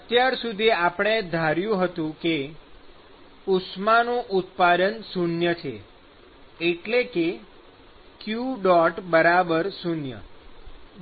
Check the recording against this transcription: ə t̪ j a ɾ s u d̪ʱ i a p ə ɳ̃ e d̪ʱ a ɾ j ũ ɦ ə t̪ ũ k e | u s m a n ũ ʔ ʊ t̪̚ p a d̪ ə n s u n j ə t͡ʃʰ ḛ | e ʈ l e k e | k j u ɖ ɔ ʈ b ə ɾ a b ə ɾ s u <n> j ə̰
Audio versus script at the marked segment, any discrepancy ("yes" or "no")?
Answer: no